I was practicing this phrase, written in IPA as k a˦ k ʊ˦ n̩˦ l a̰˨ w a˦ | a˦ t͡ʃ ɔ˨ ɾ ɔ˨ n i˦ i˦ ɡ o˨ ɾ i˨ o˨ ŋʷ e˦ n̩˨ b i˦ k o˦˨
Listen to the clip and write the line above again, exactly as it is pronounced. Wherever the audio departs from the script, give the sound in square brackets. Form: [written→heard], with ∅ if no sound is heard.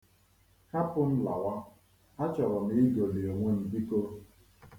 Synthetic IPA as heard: k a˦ [k→p] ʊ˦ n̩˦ l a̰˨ w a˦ | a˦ t͡ʃ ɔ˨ ɾ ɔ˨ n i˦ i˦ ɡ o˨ [ɾ→l] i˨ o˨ ŋʷ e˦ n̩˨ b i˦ k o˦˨